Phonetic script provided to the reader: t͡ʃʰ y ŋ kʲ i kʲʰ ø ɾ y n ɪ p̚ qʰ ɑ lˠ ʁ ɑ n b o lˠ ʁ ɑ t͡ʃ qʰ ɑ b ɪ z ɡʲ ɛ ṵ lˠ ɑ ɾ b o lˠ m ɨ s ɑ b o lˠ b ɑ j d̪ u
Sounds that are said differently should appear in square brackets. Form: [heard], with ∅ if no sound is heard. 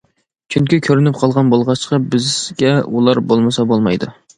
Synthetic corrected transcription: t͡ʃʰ y ŋ kʲ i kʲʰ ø ɾ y n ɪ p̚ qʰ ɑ lˠ ʁ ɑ n b o lˠ ʁ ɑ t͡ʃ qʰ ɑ b ɪ z ɡʲ ɛ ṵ lˠ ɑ ɾ b o lˠ m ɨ s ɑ b o lˠ [m] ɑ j d̪ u